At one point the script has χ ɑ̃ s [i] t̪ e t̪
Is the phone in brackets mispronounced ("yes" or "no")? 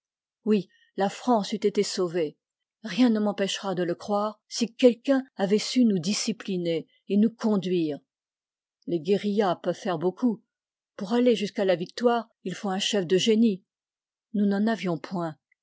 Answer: yes